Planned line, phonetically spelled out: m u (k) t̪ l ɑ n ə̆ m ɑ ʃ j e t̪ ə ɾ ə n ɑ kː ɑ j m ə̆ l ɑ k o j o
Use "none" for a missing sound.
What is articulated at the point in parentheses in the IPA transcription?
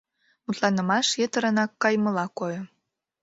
none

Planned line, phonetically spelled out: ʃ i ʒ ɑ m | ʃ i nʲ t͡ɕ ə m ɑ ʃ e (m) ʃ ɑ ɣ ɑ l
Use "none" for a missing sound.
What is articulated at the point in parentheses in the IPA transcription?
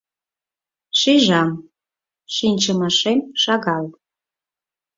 m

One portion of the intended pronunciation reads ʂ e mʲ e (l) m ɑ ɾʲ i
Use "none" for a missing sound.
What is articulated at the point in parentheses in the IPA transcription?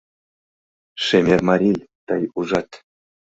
r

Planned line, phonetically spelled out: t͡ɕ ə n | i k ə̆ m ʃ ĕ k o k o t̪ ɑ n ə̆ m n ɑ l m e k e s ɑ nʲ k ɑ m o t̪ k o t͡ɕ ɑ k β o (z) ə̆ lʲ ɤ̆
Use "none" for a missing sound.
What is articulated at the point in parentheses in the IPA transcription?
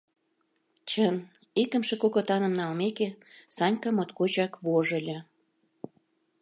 ʒ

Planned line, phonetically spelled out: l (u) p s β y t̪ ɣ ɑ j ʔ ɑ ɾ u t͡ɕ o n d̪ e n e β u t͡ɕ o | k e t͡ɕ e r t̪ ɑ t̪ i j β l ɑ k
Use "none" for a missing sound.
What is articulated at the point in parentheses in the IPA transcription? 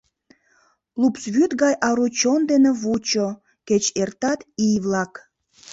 u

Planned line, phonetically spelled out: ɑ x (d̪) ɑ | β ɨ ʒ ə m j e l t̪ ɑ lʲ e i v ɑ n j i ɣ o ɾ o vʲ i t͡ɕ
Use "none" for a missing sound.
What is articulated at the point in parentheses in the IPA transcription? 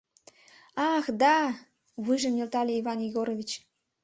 d̪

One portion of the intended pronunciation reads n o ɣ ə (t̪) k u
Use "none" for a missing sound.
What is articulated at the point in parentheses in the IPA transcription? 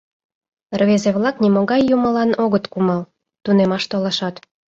t̪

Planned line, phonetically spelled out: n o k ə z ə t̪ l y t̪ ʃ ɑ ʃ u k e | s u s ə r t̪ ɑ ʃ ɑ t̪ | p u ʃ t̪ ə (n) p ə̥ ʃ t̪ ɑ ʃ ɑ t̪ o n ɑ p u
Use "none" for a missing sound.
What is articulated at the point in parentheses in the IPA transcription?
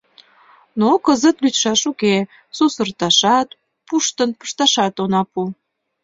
n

